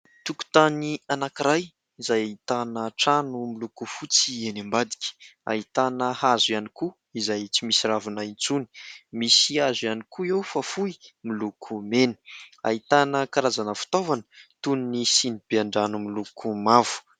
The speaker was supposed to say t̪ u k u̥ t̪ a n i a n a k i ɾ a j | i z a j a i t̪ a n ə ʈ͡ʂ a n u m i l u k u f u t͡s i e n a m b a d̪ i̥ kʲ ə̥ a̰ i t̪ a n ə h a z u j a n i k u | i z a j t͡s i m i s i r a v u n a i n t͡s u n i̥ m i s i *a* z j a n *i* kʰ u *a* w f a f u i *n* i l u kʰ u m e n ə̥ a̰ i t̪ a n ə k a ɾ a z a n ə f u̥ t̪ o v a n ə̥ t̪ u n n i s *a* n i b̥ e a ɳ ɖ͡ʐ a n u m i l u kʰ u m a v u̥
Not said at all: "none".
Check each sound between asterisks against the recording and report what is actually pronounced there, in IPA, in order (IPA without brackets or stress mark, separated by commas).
a, i, e, m, i